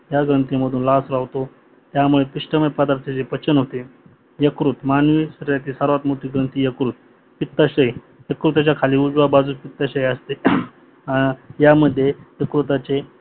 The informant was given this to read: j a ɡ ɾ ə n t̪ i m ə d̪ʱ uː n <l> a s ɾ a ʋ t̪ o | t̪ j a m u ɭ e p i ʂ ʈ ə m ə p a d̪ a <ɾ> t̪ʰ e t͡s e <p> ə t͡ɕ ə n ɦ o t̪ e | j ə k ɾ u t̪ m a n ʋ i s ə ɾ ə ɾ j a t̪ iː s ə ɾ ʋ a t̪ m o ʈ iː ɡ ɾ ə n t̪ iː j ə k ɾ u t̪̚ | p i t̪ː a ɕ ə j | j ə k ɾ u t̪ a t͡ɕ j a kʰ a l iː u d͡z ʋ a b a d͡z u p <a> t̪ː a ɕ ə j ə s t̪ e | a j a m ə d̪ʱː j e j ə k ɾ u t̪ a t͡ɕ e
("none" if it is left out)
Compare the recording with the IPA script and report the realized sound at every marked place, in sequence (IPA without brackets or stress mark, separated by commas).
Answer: l, ɾ, p, i